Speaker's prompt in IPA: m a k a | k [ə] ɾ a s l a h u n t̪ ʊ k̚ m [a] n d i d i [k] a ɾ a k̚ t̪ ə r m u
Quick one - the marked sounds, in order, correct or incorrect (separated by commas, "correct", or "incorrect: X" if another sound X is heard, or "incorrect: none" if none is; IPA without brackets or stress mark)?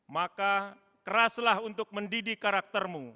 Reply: correct, incorrect: ə, correct